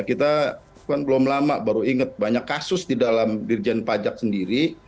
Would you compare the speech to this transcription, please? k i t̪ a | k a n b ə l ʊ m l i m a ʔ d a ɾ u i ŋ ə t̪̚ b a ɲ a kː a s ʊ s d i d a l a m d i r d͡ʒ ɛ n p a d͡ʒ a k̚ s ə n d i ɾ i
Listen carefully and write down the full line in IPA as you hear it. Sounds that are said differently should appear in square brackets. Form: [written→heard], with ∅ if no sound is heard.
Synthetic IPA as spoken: k i t̪ a | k a n b ə l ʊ m l [i→a] m a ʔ [d→b] a ɾ u i ŋ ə t̪̚ b a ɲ a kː a s ʊ s d i d a l a m d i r d͡ʒ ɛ n p a d͡ʒ a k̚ s ə n d i ɾ i